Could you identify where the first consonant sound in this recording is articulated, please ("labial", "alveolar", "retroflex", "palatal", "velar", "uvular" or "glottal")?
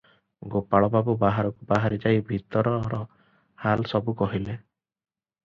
velar